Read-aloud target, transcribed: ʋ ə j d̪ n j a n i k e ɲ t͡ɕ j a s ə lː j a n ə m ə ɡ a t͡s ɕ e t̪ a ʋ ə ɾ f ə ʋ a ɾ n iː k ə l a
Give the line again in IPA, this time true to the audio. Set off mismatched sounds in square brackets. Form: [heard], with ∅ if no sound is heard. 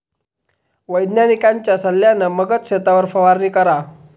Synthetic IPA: ʋ ə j d̪ n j a n i k [a] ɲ t͡ɕ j a s ə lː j a n ə m ə ɡ [ə] t͡s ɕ e t̪ a ʋ ə ɾ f ə ʋ a ɾ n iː k ə [ɾ] a